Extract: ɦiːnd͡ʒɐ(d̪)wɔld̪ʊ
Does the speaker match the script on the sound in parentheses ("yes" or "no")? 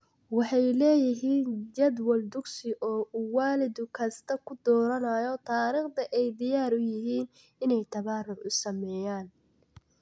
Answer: yes